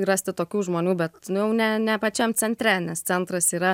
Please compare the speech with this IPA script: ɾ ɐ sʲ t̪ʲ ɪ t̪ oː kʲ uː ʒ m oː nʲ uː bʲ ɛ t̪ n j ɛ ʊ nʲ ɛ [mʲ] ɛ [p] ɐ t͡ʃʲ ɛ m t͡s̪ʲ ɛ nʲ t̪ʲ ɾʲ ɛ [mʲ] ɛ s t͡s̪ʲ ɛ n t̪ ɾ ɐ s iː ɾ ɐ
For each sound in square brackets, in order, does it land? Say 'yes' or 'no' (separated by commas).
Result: no, yes, no